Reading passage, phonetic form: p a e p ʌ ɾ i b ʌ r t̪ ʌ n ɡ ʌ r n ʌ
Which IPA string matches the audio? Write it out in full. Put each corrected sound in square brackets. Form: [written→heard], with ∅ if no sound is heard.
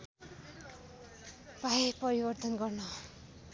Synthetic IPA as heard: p a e p ʌ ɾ i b ʌ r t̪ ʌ n ɡ ʌ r n ʌ